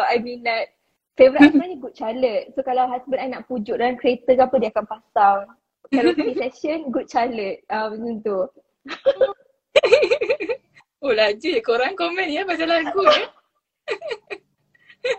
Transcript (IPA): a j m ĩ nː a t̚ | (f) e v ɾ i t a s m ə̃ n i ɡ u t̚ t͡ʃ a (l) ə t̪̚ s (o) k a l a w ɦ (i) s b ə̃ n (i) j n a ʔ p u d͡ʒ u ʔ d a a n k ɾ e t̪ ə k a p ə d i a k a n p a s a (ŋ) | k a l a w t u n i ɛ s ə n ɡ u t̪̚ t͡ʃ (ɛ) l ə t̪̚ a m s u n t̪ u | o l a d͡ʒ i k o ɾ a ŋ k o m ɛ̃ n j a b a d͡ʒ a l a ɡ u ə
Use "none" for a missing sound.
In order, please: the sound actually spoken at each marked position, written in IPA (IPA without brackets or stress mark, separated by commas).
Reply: f, l, o, a, a, ŋ, a